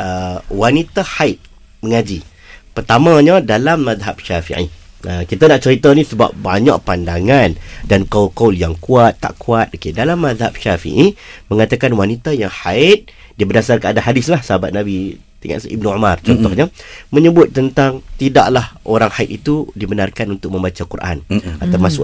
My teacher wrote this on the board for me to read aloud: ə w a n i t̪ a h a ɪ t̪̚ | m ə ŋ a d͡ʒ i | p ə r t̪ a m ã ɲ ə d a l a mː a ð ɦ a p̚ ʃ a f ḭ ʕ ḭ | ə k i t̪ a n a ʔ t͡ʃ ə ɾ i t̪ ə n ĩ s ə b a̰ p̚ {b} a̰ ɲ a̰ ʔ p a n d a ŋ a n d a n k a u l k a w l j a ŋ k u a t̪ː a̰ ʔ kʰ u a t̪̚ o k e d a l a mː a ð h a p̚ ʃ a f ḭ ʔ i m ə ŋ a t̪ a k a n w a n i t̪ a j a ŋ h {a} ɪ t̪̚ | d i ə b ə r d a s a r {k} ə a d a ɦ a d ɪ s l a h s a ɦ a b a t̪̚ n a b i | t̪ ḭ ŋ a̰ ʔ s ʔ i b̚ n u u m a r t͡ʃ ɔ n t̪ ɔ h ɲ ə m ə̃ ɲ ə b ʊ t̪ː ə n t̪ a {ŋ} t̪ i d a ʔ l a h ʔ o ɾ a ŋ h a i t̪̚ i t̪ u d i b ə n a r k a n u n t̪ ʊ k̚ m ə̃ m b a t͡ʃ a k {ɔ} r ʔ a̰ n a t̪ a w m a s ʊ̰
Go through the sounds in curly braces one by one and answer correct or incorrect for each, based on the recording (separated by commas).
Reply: correct, correct, correct, correct, incorrect